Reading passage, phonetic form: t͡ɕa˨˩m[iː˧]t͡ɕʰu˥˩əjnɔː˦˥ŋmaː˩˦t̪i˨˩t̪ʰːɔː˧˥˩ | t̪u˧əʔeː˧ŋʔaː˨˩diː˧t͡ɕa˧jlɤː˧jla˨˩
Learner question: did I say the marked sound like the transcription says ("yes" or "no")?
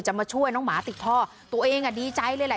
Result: no